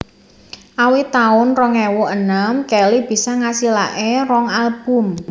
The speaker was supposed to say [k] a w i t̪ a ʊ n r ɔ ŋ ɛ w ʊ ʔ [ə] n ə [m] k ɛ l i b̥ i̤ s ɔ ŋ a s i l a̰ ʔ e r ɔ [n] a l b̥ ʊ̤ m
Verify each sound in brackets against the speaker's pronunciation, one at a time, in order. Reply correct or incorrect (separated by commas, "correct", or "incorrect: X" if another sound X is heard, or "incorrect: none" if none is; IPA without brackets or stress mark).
incorrect: ʔ, correct, correct, incorrect: ŋ